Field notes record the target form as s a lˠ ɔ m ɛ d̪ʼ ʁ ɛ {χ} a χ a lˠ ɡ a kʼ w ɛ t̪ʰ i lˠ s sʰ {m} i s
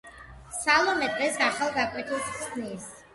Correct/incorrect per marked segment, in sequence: incorrect: s, incorrect: n

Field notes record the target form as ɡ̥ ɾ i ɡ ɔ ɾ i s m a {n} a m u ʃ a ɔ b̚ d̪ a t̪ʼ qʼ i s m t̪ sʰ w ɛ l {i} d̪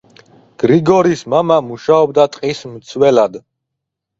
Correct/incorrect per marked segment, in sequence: incorrect: m, incorrect: a

